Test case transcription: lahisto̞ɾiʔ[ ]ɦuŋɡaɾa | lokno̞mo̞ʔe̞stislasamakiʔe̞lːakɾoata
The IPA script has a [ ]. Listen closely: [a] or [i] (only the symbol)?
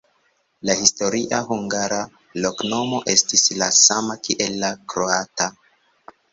a